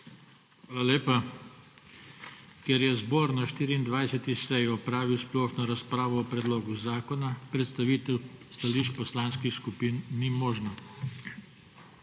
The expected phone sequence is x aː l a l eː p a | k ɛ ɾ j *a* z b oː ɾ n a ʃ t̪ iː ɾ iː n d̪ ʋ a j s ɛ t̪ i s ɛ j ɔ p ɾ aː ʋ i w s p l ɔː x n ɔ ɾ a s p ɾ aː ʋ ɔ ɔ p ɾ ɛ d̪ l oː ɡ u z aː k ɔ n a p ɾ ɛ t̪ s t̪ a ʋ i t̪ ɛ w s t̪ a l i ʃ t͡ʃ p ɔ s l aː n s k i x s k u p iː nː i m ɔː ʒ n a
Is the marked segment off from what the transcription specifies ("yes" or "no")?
yes